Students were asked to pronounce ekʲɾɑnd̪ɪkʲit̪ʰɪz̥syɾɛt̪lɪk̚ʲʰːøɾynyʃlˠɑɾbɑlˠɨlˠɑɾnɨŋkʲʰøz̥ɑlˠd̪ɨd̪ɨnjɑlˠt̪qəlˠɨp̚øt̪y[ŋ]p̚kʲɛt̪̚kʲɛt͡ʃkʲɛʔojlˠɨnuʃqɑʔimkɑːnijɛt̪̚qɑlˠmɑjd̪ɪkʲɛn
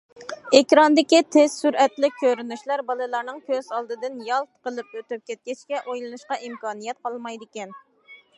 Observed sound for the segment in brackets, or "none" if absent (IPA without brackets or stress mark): none